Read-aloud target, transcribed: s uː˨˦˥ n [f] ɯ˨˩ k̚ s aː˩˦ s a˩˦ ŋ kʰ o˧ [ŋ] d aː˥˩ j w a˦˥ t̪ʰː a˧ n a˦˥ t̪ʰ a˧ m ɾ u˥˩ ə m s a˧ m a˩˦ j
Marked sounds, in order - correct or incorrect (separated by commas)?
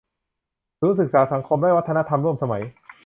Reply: incorrect, incorrect